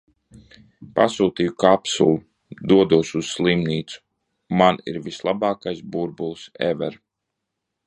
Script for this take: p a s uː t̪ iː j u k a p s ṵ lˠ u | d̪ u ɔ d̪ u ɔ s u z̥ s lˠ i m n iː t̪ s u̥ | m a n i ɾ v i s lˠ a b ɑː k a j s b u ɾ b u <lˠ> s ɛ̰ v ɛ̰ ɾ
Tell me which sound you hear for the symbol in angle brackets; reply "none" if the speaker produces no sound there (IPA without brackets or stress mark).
lˠ